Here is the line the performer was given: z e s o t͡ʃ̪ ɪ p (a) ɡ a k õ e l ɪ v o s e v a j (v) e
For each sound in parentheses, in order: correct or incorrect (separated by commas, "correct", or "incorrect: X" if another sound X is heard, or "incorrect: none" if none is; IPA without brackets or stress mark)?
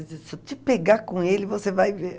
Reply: incorrect: e, correct